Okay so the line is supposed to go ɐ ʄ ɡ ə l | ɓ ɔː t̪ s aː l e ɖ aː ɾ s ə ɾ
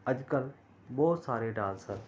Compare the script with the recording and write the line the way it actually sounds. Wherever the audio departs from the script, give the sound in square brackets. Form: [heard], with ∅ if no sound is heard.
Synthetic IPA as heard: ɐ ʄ [k] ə l | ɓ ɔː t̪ s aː [ɾ] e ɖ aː [l] s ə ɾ